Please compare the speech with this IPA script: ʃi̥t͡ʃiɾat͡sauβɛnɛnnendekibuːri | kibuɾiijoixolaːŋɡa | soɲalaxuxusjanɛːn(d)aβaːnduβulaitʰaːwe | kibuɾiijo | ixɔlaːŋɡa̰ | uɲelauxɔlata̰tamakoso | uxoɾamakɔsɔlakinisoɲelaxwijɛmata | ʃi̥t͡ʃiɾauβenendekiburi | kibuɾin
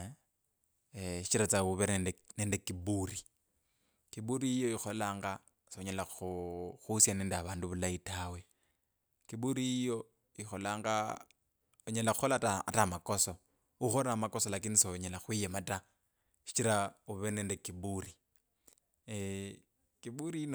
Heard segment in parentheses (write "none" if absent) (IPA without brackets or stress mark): d